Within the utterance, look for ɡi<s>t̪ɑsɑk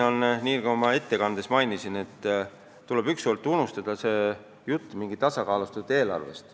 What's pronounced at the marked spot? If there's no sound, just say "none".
none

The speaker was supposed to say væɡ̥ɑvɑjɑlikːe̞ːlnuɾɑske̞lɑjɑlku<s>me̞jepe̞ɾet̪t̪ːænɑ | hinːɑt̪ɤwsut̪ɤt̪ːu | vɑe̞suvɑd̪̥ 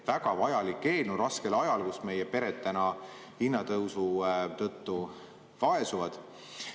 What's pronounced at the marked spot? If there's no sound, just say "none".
s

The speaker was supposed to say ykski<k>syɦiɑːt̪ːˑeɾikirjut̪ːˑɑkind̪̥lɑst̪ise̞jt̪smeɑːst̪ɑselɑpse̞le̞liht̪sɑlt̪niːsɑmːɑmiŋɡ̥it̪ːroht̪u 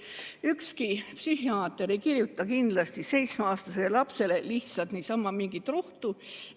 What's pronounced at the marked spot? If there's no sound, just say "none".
p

